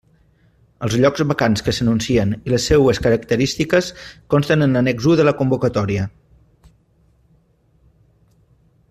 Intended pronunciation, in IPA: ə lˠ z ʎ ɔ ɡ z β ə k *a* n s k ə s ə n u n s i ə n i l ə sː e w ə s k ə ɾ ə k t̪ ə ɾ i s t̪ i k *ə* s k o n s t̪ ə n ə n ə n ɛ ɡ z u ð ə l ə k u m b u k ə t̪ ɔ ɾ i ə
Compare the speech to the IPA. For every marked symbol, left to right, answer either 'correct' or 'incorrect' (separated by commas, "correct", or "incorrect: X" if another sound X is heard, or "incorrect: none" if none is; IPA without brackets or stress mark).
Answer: correct, correct